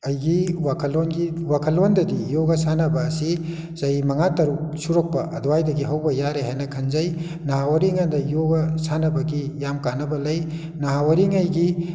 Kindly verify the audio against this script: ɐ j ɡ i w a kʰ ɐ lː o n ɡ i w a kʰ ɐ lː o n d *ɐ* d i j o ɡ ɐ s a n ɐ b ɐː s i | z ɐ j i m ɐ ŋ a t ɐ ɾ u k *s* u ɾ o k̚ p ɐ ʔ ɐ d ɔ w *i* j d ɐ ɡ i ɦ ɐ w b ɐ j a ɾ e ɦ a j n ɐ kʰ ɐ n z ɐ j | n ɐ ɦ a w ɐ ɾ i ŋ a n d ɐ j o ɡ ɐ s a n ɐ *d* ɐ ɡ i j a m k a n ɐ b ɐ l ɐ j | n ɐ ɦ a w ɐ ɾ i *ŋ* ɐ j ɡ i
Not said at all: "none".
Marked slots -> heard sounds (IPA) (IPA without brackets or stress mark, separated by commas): ɐ, s, a, b, ŋ